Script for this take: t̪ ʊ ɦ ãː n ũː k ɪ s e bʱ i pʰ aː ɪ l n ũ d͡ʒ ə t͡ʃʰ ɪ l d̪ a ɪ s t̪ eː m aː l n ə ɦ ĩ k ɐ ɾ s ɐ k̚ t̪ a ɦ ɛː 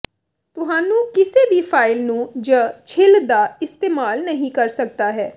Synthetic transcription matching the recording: t̪ ʊ ɦ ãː n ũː k ɪ s e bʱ i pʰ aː ɪ l n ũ d͡ʒ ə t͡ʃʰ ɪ l d̪ a ɪ s t̪ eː m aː l n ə ɦ ĩ k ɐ ɾ s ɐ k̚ t̪ a ɦ ɛː

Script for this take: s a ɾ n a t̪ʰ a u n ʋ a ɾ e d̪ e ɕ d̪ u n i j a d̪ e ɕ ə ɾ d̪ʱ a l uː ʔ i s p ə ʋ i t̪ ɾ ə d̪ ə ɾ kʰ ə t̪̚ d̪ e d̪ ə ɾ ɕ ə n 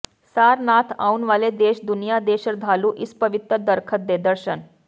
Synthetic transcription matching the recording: s a ɾ n a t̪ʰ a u n ʋ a l e d̪ e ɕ d̪ u n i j a d̪ e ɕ ə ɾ d̪ʱ a l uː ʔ i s p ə ʋ i t̪ ɾ ə d̪ ə ɾ kʰ ə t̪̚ d̪ e d̪ ə ɾ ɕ ə n

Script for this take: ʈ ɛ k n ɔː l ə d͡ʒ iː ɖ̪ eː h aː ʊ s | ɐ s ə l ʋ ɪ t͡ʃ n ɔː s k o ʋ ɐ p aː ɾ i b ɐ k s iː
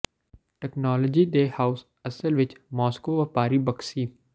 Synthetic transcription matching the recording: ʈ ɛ k n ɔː l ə d͡ʒ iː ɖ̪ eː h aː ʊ s | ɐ s ə l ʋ ɪ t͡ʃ m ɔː s k o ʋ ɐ p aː ɾ i b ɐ k s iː

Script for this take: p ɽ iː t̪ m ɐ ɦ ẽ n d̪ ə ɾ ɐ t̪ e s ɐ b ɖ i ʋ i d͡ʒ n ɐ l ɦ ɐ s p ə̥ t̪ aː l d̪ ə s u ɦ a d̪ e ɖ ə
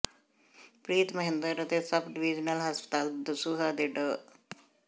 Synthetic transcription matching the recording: p ɾ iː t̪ m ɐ ɦ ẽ n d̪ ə ɾ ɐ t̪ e s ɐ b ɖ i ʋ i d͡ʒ n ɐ l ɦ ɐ s p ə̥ t̪ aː l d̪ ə s u ɦ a d̪ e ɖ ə

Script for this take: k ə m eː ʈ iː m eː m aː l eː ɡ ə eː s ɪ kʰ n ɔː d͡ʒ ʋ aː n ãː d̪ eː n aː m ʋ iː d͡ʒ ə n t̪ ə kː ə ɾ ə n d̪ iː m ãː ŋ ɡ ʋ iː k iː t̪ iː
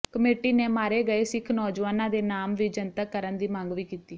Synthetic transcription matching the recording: k ə m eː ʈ iː n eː m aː ɾ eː ɡ ə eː s ɪ kʰ n ɔː d͡ʒ ʋ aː n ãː d̪ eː n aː m ʋ iː d͡ʒ ə n t̪ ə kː ə ɾ ə n d̪ iː m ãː ŋ ɡ ʋ iː k iː t̪ iː

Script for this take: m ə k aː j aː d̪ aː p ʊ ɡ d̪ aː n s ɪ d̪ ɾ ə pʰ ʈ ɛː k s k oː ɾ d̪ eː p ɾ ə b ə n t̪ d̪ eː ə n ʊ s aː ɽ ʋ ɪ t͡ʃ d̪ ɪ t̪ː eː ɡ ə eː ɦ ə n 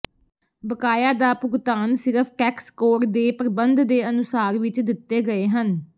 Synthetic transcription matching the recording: b ə k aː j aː d̪ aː p ʊ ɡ t̪ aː n s ɪ ɾ ə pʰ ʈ ɛː k s k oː ɾ d̪ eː p ɾ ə b ə n d̪ d̪ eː ə n ʊ s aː ɾ ʋ ɪ t͡ʃ d̪ ɪ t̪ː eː ɡ ə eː ɦ ə n

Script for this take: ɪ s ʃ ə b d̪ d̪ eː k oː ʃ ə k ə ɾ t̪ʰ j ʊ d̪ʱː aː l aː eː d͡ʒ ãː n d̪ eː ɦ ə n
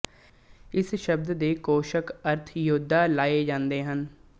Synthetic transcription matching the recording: ɪ s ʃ ə b d̪ d̪ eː k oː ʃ ə k ə ɾ t̪ʰ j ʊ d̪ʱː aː l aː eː d͡ʒ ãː n d̪ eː ɦ ə n

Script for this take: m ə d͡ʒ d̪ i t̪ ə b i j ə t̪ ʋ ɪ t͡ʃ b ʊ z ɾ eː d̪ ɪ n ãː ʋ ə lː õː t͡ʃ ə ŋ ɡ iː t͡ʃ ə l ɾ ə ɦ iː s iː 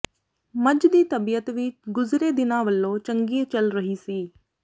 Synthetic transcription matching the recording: m ə d͡ʒ d̪ iː t̪ ə b i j ə t̪ ʋ ɪ t͡ʃ ɡ ʊ z ɾ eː d̪ ɪ n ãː ʋ ə lː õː t͡ʃ ə ŋ ɡ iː t͡ʃ ə l ɾ ə ɦ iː s iː

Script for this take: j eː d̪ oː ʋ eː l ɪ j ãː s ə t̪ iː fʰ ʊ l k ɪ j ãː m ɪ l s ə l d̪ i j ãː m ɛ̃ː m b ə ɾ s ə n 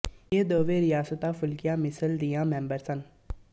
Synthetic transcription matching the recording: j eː d̪ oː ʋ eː ɾ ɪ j aː s ə t̪ aː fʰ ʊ l k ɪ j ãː m ɪ s ə l d̪ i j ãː m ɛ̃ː m b ə ɾ s ə n

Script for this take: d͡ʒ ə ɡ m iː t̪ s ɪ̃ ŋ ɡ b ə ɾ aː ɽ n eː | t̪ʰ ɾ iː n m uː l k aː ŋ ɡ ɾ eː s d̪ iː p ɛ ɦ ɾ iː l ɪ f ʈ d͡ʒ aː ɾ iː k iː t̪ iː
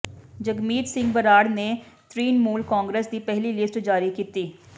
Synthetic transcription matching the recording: d͡ʒ ə ɡ m iː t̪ s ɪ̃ ŋ ɡ b ə ɾ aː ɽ n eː | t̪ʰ ɾ iː n m uː l k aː ŋ ɡ ɾ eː s d̪ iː p ɛ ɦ l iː l ɪ s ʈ d͡ʒ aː ɾ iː k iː t̪ iː

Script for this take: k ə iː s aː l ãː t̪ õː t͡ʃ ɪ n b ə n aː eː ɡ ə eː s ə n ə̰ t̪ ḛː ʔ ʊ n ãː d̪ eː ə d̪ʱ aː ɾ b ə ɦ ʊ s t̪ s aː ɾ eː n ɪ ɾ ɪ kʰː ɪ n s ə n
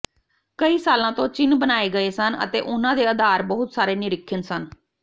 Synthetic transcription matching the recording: k ə iː s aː l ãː t̪ õː t͡ʃ ɪ n b ə n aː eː ɡ ə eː s ə n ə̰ t̪ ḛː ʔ ʊ n ãː d̪ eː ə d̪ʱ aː ɾ b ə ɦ ʊ t̪ s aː ɾ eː n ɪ ɾ ɪ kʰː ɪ n s ə n

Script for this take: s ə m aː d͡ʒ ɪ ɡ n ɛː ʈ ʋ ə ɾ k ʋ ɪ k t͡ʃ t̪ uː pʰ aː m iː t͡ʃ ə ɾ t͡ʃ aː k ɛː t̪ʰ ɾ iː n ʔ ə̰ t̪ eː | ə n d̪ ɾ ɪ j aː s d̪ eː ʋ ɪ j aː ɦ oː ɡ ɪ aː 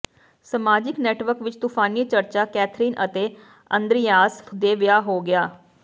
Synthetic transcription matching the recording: s ə m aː d͡ʒ ɪ k n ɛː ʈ ʋ ə ɾ k ʋ ɪ t͡ʃ t̪ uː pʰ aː n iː t͡ʃ ə ɾ t͡ʃ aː k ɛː t̪ʰ ɾ iː n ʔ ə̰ t̪ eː | ə n d̪ ɾ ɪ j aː s d̪ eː ʋ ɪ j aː ɦ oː ɡ ɪ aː

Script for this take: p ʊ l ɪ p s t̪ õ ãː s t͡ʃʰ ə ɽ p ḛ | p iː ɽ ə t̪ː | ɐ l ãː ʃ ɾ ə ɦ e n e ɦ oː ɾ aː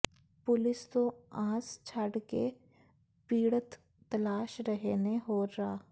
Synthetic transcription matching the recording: p ʊ l ɪ s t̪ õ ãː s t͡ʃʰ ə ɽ k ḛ | p iː ɽ ə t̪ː | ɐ l aː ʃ ɾ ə ɦ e n e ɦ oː ɾ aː

